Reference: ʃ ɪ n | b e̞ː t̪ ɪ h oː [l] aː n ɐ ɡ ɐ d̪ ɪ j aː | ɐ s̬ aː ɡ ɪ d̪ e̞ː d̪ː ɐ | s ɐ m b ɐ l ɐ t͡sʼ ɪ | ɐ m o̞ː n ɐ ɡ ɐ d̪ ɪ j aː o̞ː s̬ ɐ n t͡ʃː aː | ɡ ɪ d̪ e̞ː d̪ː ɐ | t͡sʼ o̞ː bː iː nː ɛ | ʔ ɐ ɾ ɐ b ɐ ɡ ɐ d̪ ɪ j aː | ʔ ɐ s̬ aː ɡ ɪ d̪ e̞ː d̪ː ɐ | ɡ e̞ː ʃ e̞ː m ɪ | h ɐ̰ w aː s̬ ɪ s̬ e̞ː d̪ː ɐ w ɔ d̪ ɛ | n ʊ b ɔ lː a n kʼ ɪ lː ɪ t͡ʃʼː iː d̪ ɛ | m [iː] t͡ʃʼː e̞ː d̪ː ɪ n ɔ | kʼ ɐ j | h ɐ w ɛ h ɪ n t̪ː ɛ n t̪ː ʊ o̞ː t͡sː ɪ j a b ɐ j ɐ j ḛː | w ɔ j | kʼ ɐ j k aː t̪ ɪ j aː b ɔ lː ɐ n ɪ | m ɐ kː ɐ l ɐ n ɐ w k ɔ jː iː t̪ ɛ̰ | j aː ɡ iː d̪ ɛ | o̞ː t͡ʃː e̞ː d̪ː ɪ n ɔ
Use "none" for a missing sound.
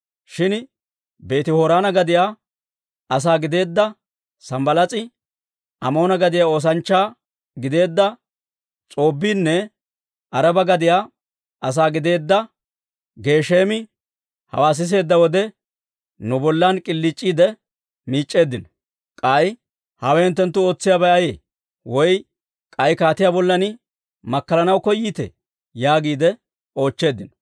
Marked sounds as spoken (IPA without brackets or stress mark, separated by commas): ɾ, iː